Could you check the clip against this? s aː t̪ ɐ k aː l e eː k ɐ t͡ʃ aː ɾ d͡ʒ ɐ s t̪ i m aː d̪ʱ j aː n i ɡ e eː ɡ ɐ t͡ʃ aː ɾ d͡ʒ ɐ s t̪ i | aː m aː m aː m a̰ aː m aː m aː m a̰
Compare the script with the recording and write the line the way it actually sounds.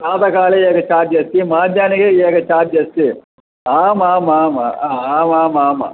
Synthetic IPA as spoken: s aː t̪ ɐ k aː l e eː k ɐ t͡ʃ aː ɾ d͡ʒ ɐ s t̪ i m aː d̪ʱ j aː n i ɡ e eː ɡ ɐ t͡ʃ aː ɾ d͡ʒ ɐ s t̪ i | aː m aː m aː m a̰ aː m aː m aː m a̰